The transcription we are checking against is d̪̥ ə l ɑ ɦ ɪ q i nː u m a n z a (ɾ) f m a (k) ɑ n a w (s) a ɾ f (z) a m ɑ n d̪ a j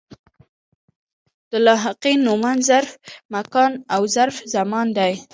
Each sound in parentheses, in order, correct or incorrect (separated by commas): correct, correct, incorrect, correct